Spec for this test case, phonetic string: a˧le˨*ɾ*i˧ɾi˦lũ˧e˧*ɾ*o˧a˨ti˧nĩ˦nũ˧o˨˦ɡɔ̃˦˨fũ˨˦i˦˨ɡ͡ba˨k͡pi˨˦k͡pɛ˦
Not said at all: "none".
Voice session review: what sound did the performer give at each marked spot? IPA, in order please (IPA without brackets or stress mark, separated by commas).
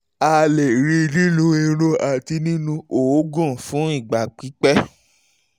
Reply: ɾ, ɾ